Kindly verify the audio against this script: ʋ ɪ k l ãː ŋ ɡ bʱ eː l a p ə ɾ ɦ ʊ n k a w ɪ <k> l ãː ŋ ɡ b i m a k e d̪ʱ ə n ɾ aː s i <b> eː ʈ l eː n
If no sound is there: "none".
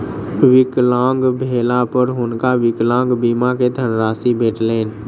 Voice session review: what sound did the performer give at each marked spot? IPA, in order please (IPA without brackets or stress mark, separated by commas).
k, b